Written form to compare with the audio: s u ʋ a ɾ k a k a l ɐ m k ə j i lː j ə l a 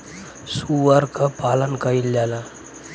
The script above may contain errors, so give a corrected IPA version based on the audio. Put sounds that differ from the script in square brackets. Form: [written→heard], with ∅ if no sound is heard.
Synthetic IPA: s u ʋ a ɾ k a [k→p] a l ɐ [m→n] k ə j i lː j [ə→a] l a

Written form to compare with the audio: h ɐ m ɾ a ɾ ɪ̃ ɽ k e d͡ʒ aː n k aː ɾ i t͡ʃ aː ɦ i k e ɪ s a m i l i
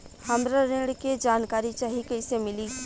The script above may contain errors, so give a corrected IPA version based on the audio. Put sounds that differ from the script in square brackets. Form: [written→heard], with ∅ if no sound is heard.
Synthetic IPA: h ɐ m ɾ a ɾ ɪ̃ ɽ k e d͡ʒ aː n k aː ɾ i t͡ʃ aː ɦ i k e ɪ s [a→e] m [i→ɪ] l i

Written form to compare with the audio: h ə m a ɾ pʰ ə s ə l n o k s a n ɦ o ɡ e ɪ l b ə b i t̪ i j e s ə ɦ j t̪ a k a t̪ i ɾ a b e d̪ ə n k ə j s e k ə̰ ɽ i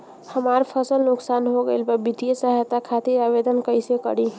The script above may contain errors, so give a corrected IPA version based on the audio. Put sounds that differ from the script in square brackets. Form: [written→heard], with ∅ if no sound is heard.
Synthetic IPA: h ə m a ɾ pʰ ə s ə l n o k s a n ɦ o ɡ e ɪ l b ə b i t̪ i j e s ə ɦ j t̪ a [k→kʰ] a t̪ i ɾ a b e d̪ ə n k ə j s e k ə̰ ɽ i

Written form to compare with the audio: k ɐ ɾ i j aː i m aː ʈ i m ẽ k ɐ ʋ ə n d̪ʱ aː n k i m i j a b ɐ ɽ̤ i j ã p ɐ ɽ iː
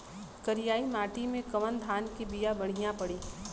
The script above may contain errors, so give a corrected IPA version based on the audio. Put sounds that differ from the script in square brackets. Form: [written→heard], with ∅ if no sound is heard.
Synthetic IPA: k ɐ ɾ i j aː i m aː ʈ i m ẽ k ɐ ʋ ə n d̪ʱ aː n k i [m→b] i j a b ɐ ɽ̤ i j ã p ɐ ɽ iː

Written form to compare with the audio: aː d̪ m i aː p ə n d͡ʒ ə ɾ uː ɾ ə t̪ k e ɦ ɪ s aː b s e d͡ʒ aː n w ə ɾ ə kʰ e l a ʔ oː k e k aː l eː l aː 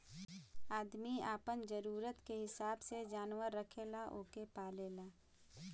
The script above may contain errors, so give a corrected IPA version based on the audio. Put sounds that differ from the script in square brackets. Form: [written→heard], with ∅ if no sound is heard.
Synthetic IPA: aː d̪ m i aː p ə n d͡ʒ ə ɾ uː ɾ ə t̪ k e ɦ ɪ s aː b s e d͡ʒ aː n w ə [ɾ→ɾː] ə kʰ e l a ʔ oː k e [k→p] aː l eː l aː

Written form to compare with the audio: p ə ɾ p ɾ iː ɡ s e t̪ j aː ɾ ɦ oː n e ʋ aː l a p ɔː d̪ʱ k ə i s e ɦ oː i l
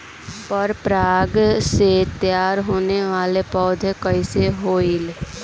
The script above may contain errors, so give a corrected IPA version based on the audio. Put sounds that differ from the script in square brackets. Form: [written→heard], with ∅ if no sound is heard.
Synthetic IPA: p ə ɾ p ɾ [iː→aː] ɡ s e t̪ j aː ɾ ɦ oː n e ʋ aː l [a→e] p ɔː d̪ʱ k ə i s e ɦ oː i l

